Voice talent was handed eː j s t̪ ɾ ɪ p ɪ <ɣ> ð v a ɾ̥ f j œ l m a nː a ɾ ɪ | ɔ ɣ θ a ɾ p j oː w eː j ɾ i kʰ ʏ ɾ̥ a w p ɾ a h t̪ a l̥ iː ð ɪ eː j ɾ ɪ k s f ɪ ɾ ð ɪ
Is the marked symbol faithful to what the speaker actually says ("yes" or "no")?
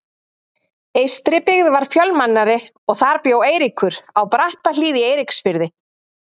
yes